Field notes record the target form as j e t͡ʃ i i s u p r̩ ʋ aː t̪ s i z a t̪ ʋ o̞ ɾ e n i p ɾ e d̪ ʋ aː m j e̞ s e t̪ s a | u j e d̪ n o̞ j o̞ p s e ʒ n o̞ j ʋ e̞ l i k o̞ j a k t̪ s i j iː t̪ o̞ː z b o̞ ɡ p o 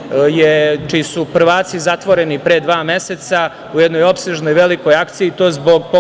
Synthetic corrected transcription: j e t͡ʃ i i s u p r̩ ʋ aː t̪ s i z a t̪ ʋ o̞ ɾ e n i p ɾ e d̪ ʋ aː m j e̞ s e t̪ s a | u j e d̪ n o̞ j o̞ p s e ʒ n o̞ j ʋ e̞ l i k o̞ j a k t̪ s i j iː t̪ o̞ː z b o̞ ɡ p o